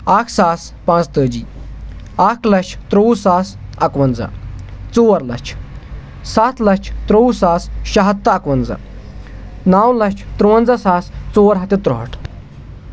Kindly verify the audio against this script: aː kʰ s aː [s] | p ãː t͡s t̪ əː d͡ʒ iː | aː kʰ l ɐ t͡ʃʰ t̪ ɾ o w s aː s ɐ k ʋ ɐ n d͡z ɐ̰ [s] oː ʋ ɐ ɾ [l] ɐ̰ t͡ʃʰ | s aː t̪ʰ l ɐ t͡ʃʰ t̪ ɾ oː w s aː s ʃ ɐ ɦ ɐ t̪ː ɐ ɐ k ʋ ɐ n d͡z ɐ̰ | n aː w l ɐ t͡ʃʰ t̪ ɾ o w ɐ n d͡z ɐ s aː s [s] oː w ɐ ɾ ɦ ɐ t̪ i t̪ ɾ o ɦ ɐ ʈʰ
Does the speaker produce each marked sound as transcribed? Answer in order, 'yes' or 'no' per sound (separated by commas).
yes, no, yes, no